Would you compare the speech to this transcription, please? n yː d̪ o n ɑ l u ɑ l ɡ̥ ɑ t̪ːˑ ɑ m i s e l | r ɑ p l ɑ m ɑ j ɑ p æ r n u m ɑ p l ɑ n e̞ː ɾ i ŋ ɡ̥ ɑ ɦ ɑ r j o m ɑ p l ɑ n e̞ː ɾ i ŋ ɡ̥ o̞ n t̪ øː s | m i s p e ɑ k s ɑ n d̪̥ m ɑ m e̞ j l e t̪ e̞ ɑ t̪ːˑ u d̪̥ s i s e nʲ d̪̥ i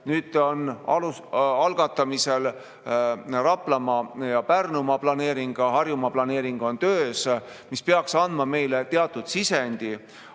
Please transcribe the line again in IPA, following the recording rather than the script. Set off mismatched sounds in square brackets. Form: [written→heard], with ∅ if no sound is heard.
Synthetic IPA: n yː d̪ o n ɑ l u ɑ l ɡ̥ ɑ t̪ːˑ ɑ m i s e l | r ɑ p l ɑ m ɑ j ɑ p æ r n u m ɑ p l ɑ n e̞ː ɾ i ŋ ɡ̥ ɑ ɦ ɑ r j [o→u] m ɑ p l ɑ n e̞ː ɾ i ŋ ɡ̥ o̞ n t̪ øː s | m i s p e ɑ k s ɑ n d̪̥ m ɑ m e̞ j l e t̪ e̞ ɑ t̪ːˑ u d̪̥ s i s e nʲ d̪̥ i

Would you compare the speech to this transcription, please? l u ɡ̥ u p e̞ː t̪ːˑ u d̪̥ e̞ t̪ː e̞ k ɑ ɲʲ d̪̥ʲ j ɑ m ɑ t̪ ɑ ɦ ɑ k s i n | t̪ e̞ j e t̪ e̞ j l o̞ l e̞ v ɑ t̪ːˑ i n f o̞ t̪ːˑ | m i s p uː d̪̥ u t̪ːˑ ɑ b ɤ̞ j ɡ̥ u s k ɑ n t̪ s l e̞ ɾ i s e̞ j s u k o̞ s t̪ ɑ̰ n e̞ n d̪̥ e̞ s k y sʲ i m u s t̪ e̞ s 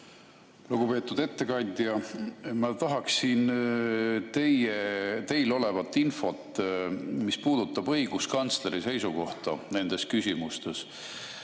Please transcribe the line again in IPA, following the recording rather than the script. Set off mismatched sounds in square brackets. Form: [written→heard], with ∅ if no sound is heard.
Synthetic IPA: l u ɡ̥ u p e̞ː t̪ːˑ u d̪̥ e̞ t̪ː e̞ k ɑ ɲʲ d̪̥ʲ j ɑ m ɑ t̪ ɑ ɦ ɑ k s i n | t̪ e̞ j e t̪ e̞ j l o̞ l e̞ v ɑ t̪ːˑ i n f o̞ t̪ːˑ | m i s p uː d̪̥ u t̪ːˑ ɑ b ɤ̞ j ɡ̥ u s k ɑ n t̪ s l e̞ ɾ i s e̞ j s u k o̞ [s→h] t̪ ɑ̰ n e̞ n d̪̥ e̞ s k y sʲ i m u s t̪ e̞ s

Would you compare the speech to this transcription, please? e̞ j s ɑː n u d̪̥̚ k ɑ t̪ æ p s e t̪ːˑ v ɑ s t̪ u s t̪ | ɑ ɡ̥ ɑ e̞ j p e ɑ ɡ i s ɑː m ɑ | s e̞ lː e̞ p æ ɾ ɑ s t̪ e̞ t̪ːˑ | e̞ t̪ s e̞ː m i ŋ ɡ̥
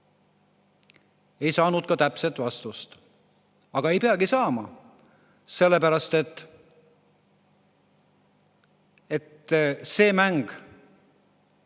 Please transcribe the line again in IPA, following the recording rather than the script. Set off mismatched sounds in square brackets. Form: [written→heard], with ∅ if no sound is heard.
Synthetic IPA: e̞ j s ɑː n u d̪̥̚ k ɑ t̪ æ p s e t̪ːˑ v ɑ s t̪ u s t̪ | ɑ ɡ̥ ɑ e̞ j p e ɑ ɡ i s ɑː m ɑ | s e̞ lː e̞ p æ ɾ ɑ s t̪ e̞ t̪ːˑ | e̞ t̪ s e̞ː m [i→æ] ŋ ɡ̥

